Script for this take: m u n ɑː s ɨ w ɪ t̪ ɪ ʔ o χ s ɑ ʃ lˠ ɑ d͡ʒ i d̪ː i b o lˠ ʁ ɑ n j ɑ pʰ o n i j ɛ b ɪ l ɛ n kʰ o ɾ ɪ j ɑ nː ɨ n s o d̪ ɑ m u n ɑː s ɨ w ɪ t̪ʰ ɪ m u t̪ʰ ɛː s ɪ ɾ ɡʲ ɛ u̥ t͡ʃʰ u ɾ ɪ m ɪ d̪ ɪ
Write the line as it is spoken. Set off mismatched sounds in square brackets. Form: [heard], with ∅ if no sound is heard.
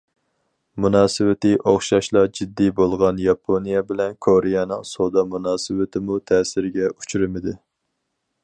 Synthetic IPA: m u n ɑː s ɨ w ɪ t̪ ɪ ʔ o χ [ʃ] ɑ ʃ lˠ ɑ d͡ʒ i d̪ː i b o lˠ ʁ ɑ n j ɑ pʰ o n i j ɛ b ɪ l ɛ n kʰ o ɾ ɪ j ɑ [n] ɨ [ŋ] s o d̪ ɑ m u n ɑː s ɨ w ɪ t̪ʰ ɪ m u t̪ʰ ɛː s ɪ ɾ ɡʲ ɛ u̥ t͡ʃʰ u ɾ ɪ m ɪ d̪ ɪ